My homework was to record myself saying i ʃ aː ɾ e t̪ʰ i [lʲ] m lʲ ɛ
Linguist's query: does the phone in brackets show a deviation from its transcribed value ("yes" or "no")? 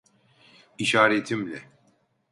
yes